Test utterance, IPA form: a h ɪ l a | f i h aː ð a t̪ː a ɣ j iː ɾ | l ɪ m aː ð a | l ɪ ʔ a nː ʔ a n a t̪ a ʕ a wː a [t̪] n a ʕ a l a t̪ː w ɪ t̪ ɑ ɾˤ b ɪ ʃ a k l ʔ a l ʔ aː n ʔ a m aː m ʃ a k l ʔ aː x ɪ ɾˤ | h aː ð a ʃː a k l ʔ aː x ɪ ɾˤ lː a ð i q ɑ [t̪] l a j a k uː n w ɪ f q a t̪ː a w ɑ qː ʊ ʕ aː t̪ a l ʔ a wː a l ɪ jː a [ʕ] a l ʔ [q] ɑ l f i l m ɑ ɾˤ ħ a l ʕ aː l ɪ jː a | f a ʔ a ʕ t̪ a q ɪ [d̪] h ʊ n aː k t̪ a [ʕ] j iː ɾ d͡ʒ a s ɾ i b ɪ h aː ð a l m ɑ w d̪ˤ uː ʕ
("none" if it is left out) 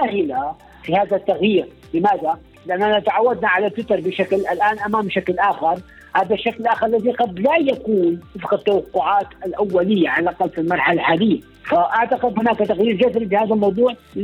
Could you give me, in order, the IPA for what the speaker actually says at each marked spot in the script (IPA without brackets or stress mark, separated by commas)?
d̪, d̪, ʕ, q, d̪, ɣ